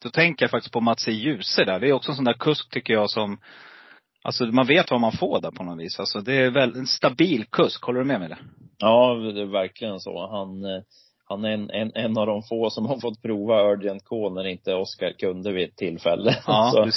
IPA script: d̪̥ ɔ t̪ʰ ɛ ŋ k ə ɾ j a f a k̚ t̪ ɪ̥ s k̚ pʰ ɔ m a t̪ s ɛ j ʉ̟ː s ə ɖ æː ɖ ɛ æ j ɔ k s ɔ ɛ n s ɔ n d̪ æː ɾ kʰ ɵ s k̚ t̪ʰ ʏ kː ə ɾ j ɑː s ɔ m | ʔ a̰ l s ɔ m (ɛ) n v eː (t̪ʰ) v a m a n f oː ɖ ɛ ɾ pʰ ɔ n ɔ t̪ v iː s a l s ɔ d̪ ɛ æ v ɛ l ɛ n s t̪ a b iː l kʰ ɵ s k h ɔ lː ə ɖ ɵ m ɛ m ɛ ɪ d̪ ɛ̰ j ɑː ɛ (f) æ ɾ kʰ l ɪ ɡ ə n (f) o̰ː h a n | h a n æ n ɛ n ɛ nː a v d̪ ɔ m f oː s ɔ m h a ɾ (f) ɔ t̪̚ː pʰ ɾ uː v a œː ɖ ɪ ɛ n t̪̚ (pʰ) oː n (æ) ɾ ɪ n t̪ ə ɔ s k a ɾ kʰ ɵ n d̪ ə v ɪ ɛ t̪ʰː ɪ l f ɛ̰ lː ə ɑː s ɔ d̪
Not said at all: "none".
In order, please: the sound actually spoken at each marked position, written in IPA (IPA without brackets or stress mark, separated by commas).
a, t̪, v, s, f, kʰ, æ